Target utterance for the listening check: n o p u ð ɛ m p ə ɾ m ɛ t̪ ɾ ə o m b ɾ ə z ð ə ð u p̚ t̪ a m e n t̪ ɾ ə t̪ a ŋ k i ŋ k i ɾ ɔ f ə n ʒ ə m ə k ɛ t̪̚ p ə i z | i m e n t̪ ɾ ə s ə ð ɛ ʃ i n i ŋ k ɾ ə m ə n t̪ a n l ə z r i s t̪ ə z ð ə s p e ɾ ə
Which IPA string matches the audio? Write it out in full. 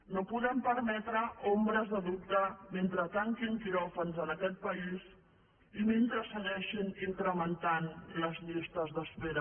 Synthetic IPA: n o p u ð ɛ m p ə ɾ m ɛ t̪ ɾ ə o m b ɾ ə z ð ə ð u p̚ t̪ ə m e n t̪ ɾ ə t̪ a ŋ k i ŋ k i ɾ ɔ f ə n z ə n ə k ɛ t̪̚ p ə i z | i m e n t̪ ɾ ə s ə ɣ ɛ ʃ i n i ŋ k ɾ ə m ə n t̪ a n l ə z ʎ i s t̪ ə z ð ə s p e ɾ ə